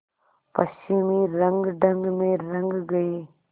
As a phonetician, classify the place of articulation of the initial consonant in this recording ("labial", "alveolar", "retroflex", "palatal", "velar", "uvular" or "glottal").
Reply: labial